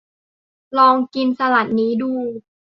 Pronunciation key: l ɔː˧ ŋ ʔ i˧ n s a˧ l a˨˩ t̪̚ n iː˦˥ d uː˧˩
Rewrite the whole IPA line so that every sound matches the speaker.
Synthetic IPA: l ɔː˧ ŋ k i˧ n s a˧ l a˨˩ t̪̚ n iː˦˥ d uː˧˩